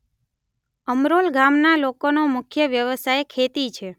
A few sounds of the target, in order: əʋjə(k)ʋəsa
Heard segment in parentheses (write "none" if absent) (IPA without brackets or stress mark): none